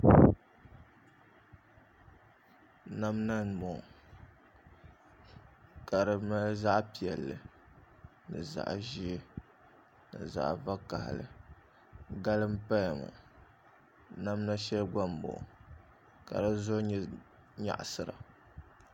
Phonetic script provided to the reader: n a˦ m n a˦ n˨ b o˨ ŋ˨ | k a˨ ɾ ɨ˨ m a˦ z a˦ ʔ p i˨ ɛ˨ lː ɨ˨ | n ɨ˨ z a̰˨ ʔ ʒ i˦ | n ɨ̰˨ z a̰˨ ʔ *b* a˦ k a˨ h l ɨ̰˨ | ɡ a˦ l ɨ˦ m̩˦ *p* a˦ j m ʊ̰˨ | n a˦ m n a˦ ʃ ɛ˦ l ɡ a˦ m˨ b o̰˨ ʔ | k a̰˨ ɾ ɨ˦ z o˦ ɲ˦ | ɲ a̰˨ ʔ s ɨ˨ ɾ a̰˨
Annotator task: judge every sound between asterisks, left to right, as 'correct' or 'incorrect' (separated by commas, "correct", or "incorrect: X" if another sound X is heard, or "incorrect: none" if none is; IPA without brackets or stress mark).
incorrect: v, correct